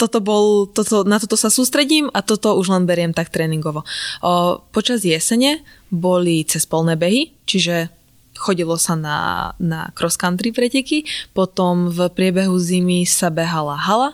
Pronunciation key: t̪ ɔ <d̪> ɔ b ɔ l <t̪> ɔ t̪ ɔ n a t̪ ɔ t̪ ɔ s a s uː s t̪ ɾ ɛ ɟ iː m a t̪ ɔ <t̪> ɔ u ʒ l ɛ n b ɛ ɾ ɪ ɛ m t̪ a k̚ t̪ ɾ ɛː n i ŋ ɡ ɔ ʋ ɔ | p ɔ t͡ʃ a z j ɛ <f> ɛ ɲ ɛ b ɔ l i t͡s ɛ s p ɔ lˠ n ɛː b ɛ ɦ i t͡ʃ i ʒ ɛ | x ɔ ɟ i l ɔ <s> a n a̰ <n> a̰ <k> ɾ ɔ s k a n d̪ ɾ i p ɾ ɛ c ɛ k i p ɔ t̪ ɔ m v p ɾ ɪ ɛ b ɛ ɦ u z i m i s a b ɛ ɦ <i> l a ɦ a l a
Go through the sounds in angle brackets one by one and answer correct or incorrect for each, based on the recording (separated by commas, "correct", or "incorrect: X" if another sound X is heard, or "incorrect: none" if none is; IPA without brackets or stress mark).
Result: incorrect: t̪, correct, correct, incorrect: s, correct, correct, correct, incorrect: a